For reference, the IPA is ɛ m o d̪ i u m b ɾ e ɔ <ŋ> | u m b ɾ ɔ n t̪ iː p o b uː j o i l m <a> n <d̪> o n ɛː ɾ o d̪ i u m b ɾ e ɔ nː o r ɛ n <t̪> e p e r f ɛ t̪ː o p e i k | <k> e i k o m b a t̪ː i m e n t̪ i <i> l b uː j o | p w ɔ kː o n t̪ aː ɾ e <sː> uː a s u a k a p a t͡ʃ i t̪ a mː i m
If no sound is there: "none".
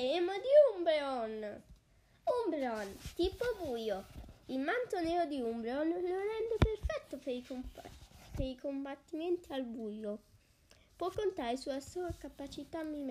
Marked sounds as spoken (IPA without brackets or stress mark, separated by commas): n, a, t̪, d̪, p, a, s